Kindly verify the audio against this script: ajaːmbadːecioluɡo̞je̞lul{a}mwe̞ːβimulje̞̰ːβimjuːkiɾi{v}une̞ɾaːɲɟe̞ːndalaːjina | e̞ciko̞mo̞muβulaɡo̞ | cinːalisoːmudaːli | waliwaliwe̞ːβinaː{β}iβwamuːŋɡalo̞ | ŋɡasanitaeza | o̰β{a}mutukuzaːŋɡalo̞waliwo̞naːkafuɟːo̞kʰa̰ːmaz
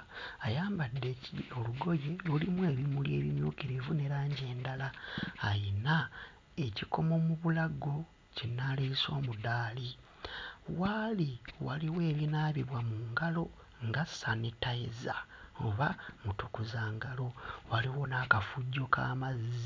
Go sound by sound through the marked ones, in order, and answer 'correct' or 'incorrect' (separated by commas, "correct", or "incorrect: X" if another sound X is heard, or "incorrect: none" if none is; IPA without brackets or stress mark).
incorrect: i, correct, correct, correct